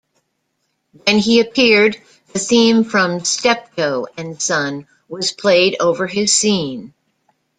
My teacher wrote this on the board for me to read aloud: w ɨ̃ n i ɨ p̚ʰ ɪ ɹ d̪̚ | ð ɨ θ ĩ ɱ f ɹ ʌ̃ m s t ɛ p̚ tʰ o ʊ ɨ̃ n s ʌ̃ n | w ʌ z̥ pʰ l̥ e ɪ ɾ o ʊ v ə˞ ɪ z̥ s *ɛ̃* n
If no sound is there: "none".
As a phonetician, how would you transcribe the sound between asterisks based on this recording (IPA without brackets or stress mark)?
ĩ